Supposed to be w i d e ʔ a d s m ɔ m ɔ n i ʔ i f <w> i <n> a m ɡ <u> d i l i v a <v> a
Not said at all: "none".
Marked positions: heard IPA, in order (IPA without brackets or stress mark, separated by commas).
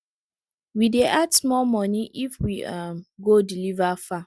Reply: w, none, o, f